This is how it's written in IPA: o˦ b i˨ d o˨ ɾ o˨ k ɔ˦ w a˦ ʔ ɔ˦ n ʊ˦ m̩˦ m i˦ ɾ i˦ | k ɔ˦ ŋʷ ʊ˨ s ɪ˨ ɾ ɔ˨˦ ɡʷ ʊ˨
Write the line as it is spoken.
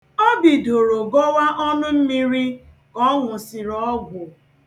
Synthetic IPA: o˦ b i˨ d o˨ ɾ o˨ ɡ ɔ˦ w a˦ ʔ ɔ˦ n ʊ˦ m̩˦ m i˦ ɾ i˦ | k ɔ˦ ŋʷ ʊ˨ s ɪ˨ ɾ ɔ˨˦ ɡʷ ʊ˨